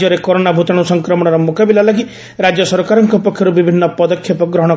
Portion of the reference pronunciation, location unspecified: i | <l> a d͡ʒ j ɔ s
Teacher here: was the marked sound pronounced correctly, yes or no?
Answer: no